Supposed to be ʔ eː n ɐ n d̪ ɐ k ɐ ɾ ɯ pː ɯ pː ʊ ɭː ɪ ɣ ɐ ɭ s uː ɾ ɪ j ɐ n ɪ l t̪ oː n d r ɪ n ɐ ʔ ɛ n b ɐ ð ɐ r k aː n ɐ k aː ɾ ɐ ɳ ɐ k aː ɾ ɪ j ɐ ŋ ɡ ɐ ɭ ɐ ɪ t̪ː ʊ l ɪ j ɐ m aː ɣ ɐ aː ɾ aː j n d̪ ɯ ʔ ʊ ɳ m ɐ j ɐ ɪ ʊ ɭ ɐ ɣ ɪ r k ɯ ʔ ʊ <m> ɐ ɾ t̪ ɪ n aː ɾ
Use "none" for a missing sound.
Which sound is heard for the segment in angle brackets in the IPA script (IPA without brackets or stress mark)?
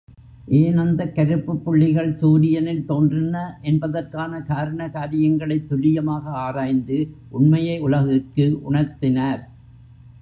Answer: ɳ